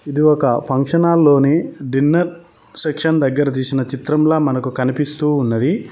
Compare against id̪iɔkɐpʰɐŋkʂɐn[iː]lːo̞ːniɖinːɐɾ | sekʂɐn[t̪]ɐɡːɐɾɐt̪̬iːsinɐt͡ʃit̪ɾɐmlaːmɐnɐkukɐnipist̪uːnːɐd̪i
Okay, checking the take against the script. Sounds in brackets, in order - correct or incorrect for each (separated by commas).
incorrect, incorrect